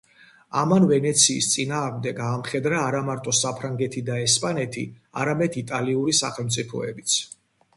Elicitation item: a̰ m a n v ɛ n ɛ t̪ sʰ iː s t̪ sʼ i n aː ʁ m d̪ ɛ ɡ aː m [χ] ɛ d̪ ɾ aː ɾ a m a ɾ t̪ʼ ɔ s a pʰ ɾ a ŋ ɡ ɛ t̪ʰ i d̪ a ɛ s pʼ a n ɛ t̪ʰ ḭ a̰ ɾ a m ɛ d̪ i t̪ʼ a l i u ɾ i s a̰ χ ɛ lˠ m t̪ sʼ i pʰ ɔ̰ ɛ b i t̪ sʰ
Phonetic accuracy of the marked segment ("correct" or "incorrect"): correct